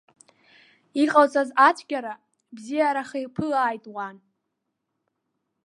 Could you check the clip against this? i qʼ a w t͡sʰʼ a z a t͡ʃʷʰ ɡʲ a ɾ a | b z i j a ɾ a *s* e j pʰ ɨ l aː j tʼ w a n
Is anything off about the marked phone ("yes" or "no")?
yes